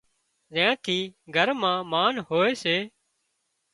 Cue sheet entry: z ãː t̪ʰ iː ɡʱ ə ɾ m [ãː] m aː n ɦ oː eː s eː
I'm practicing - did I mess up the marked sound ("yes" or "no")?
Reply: no